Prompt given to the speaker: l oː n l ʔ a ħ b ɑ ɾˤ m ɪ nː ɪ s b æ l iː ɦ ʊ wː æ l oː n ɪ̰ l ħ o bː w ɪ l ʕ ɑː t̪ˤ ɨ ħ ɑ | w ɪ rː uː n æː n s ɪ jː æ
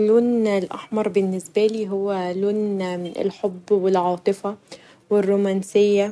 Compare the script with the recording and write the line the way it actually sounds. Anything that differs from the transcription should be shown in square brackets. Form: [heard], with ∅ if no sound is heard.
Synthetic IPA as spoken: l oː n l ʔ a ħ [m] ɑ ɾˤ [b] ɪ nː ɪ s b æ l iː ɦ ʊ wː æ l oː n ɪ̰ l ħ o bː w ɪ l ʕ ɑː t̪ˤ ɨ [f] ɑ | w ɪ rː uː [m] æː n s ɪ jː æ

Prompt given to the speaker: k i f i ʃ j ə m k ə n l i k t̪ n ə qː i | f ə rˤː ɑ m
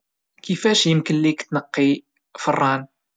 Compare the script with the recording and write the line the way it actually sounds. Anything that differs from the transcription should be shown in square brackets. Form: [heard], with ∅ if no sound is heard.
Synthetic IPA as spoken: k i f [æ] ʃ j ə m k ə n l i k t̪ n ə qː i | f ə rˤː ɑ [n]

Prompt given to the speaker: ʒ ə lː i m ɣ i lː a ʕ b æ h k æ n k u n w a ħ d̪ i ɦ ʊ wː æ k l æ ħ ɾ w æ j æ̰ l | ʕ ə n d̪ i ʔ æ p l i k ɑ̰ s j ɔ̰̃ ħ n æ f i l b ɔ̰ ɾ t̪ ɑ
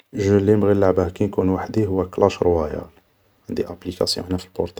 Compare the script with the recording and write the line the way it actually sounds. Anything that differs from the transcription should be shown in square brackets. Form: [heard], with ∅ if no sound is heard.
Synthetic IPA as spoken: ʒ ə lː i m ɣ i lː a ʕ b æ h k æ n k u n w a ħ d̪ i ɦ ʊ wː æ k l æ [ʃ] ɾ w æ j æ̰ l | ʕ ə n d̪ i ʔ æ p l i k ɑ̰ s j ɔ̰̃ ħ n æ f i l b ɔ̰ ɾ t̪ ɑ

